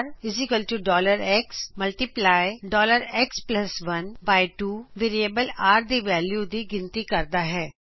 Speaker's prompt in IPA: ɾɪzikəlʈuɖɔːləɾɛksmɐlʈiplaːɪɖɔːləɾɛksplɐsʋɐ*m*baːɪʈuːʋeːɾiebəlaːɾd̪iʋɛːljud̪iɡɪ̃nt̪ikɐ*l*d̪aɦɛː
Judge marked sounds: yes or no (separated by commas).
no, no